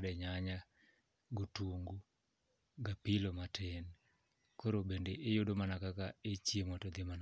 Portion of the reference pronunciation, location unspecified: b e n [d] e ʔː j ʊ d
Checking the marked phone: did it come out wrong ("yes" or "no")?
no